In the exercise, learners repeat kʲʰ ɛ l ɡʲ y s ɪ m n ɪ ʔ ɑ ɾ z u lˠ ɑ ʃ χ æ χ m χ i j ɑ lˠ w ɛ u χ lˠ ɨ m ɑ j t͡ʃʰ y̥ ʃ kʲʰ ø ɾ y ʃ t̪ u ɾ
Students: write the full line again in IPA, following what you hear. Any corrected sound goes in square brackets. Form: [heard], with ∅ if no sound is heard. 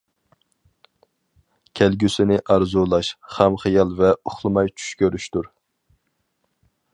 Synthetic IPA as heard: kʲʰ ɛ l ɡʲ y s ɪ [∅] n ɪ ʔ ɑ ɾ z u lˠ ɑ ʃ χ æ [∅] m χ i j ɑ lˠ [v] ɛ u χ lˠ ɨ m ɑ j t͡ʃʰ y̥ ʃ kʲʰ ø ɾ y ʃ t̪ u ɾ